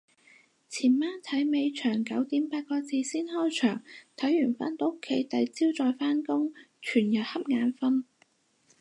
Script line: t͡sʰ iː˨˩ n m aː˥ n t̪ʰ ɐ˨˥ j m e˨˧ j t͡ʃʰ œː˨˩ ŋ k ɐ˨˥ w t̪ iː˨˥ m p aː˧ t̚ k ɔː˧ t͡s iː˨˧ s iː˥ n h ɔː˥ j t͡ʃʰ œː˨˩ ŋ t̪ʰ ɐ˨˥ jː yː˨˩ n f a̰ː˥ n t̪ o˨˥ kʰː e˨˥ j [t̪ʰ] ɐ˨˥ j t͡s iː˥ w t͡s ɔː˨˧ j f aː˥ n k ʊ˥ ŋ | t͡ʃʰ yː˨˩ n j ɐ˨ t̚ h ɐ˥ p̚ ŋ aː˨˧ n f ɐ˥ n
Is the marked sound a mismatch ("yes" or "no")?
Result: yes